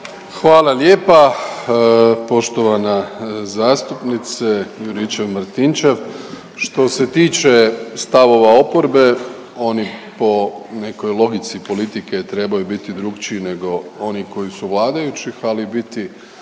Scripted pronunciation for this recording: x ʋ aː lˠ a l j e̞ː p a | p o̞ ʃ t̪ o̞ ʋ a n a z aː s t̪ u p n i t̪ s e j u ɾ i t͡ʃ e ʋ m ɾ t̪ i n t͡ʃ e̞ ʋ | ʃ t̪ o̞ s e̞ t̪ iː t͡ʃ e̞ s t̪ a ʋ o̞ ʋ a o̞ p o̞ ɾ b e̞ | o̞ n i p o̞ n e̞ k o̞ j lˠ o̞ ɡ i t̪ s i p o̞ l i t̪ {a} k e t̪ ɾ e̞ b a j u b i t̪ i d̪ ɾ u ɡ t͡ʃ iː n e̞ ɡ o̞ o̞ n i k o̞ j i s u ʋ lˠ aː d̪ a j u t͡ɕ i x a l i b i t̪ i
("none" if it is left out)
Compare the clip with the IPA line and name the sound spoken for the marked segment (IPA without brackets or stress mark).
i